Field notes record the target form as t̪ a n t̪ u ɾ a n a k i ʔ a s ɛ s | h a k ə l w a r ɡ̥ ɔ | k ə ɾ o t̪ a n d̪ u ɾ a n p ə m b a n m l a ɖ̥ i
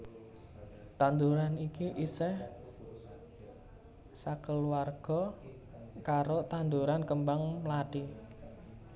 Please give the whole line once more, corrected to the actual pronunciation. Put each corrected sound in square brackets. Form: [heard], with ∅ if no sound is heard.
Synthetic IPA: t̪ a n [d̪] u ɾ a n [i] k i ʔ [i] s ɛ [h] | [s] a k ə l w a r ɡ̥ ɔ | k [a] ɾ o t̪ a n d̪ u ɾ a n [k] ə m b a [ŋ] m l a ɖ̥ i